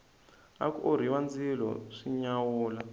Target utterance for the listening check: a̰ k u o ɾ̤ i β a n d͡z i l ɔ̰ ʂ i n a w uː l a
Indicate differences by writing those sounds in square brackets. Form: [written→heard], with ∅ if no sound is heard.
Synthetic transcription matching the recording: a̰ k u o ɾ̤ i [β→w] a n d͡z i l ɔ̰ ʂ i [n→ɲ] a w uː l a